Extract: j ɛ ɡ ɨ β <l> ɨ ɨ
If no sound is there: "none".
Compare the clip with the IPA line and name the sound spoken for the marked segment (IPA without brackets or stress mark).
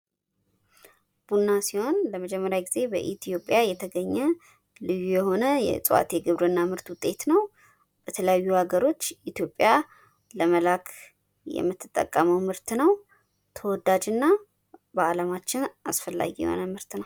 ɾ